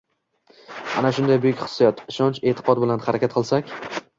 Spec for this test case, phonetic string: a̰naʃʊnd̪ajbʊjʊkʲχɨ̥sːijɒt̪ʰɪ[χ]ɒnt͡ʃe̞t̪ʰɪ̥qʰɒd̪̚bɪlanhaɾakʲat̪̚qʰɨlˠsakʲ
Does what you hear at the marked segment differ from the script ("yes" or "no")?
yes